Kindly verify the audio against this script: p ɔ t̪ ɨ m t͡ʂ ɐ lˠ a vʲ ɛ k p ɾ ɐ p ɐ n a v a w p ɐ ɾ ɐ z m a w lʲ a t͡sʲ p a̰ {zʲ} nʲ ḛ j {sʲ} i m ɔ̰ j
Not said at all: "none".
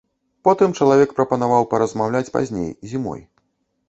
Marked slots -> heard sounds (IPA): zʲ, zʲ

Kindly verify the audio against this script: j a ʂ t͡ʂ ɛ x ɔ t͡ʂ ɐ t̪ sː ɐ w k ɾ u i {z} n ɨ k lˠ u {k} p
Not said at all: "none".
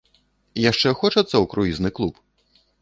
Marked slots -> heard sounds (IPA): z, none

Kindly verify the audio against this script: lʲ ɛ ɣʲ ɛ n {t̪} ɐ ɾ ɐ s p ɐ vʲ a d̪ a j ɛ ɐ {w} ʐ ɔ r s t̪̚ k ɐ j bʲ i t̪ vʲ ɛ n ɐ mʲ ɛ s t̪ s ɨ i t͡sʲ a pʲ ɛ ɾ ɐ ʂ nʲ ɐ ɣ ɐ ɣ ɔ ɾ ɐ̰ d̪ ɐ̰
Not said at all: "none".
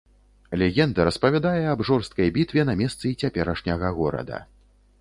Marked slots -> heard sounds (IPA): d̪, b

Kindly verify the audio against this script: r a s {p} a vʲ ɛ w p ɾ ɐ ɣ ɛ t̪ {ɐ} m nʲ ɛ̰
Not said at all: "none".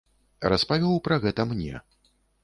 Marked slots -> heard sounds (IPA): p, ɐ

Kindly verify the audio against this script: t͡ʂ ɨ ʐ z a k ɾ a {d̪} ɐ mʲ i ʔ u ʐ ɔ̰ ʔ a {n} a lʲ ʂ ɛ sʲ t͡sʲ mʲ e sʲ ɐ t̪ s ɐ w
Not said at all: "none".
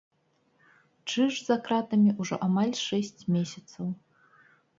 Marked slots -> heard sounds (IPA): t̪, m

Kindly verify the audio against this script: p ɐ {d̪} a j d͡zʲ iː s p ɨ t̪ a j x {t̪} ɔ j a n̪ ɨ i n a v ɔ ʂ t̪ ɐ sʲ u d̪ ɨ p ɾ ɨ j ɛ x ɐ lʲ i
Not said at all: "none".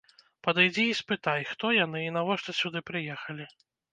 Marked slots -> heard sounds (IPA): d̪, t̪

